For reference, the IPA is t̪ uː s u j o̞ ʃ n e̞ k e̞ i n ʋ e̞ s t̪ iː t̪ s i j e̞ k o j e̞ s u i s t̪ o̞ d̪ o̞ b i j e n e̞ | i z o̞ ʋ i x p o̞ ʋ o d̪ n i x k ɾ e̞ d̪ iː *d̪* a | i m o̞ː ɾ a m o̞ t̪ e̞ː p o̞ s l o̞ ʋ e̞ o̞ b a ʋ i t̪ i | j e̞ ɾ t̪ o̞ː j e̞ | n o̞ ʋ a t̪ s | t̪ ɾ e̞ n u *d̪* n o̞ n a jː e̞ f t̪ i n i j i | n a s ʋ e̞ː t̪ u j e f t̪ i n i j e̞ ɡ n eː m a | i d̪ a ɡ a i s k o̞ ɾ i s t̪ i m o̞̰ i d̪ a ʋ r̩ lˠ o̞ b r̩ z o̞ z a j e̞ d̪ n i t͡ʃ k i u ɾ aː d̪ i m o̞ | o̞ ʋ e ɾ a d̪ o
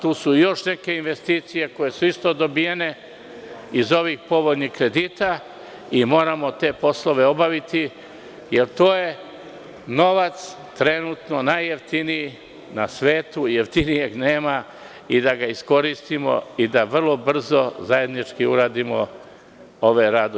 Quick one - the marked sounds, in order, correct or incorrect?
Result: incorrect: t̪, incorrect: t̪

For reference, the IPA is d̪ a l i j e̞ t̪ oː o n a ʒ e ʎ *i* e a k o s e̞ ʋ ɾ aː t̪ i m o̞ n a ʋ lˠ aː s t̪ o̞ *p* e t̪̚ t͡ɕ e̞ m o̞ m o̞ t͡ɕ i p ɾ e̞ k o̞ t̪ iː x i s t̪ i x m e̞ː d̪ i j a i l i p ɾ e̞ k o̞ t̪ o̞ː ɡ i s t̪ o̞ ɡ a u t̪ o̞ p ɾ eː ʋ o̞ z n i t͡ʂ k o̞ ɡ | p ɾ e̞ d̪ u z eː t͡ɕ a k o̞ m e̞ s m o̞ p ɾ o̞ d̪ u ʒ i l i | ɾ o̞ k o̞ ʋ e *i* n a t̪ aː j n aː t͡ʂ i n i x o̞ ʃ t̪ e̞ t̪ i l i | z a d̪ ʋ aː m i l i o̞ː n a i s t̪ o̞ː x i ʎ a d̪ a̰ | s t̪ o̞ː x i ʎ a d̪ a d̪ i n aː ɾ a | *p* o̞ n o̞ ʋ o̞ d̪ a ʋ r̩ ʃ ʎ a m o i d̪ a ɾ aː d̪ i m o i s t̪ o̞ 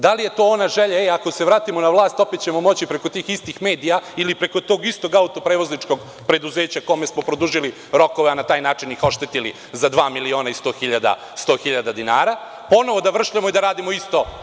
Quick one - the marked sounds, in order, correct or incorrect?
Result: incorrect: a, correct, incorrect: a, correct

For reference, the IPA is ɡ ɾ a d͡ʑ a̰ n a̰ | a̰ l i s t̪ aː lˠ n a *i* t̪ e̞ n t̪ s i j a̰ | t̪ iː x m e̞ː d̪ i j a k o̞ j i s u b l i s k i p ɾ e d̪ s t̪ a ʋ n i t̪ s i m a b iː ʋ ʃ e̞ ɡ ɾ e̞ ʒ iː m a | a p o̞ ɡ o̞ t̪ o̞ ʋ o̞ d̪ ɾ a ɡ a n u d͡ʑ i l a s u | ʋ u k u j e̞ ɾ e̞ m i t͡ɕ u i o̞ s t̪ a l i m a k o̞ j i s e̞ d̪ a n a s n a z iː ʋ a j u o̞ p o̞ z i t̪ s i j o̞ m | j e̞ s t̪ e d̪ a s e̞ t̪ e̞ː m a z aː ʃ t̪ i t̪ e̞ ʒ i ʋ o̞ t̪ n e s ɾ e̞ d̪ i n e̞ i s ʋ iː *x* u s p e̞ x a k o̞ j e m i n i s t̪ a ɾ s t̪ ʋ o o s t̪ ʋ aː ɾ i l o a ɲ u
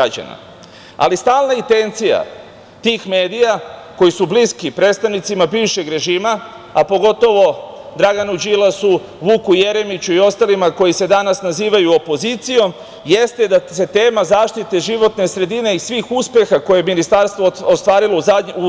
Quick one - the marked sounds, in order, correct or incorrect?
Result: correct, correct

